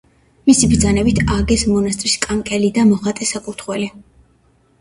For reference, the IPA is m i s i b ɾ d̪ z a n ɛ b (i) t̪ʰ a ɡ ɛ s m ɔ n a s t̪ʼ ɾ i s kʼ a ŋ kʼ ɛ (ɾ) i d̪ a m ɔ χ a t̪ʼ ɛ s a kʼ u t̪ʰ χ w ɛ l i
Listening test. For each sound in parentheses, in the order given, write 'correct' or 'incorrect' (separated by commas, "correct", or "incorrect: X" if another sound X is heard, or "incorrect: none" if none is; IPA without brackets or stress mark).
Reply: correct, incorrect: l